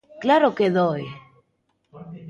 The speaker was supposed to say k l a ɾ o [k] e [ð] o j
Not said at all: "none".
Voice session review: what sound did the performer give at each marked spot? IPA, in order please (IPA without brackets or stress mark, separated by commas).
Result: k, ð